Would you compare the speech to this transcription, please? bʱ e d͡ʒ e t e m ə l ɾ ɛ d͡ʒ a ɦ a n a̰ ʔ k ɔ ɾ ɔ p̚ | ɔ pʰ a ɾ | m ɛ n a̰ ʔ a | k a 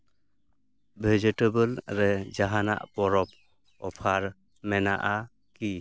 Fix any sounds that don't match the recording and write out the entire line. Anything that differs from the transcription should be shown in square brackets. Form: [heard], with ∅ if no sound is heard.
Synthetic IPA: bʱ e d͡ʒ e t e [b] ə l ɾ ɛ d͡ʒ a ɦ a n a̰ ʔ [p] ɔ ɾ ɔ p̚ | ɔ pʰ a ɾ | m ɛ n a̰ ʔ a | k [i]